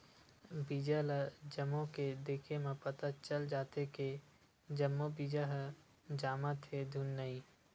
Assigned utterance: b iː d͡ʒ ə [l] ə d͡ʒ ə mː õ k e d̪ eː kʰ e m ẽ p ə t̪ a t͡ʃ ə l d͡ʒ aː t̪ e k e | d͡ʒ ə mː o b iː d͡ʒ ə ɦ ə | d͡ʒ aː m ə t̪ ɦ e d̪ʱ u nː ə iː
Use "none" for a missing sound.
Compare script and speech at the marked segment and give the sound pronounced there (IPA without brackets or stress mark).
l